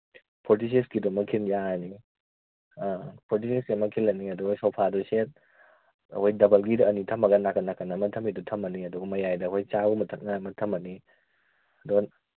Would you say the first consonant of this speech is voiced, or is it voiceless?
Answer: voiceless